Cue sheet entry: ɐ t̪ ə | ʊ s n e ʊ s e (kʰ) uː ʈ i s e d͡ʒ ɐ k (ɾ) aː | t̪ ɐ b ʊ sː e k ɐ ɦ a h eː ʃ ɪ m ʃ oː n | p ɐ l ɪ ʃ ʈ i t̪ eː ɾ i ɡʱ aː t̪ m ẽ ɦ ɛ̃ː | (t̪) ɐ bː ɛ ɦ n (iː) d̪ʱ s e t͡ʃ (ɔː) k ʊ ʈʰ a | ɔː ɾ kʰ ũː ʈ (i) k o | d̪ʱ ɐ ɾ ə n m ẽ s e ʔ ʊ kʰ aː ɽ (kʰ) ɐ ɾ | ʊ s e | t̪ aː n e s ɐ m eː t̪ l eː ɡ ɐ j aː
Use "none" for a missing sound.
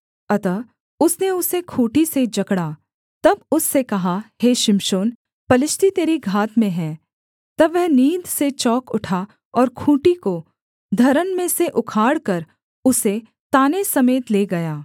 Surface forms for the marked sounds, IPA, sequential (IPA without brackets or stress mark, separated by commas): kʰ, ɽ, t̪, iː, ɔː, i, k